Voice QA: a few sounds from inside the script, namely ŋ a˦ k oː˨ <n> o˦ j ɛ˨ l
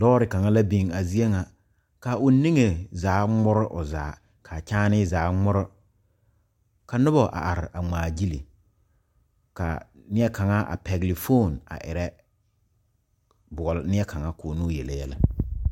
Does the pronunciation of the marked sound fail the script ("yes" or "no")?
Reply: no